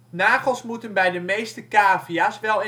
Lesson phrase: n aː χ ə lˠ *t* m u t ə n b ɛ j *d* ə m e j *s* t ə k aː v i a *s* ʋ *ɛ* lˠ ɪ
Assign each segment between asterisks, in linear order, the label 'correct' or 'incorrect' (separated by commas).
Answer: incorrect, correct, correct, correct, correct